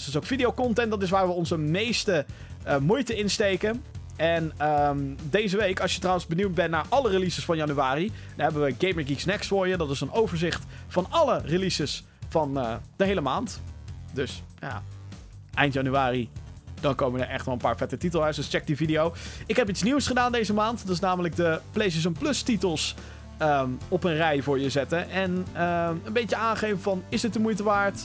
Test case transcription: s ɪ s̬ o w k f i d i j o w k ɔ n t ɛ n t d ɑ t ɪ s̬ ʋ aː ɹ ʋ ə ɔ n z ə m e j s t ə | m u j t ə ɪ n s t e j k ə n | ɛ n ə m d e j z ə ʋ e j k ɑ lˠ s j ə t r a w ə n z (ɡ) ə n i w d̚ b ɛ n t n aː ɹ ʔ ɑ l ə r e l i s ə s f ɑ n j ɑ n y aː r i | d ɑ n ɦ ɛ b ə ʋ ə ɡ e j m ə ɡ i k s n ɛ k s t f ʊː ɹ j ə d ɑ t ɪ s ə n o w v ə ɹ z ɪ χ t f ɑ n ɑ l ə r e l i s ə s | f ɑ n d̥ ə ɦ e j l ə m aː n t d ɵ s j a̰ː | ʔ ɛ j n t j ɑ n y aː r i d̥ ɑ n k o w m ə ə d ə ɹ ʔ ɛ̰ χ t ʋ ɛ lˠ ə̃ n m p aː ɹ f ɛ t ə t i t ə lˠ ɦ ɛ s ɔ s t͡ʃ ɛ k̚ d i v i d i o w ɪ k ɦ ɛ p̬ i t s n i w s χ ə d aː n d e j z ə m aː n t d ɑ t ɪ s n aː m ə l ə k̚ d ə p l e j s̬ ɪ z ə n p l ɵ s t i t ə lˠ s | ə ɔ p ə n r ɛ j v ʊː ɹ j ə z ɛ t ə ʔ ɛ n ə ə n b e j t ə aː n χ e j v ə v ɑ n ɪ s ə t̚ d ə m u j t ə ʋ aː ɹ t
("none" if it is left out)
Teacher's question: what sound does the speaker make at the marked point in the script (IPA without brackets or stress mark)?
b